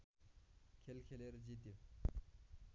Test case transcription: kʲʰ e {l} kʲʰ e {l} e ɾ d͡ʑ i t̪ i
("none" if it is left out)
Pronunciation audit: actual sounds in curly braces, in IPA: l, l

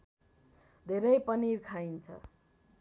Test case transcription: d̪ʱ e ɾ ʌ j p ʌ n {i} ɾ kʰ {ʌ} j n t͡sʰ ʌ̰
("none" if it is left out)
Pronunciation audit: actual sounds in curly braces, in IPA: i, a

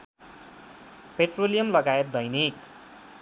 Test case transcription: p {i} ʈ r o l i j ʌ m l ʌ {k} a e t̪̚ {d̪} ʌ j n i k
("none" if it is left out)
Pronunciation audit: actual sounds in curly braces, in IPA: e, ɡ, d̪

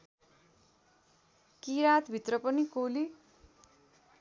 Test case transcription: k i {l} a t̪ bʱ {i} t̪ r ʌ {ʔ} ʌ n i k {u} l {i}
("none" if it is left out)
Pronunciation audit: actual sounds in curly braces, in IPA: ɾ, i, p, o, i

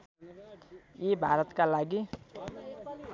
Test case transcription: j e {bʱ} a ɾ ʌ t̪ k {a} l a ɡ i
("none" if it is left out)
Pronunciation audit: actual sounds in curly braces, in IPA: bʱ, a

